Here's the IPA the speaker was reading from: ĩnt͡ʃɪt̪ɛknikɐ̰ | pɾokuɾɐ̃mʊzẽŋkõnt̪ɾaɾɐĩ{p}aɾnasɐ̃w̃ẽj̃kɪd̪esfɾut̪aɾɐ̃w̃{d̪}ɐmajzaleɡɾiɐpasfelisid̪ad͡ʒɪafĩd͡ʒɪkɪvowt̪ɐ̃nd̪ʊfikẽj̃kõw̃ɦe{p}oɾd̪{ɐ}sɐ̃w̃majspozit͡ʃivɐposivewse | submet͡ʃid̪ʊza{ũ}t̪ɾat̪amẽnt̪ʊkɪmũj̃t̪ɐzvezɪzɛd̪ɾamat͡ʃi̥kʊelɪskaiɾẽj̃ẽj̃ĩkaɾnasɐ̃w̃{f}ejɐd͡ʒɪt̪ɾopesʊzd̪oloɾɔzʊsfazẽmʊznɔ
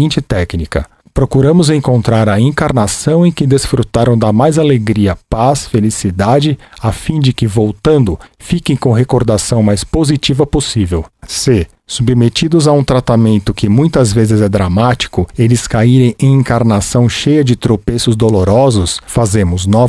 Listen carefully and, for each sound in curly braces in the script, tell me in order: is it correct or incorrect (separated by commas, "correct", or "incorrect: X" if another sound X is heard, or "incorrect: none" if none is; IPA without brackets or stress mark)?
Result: incorrect: k, correct, incorrect: k, incorrect: a, correct, incorrect: ʃ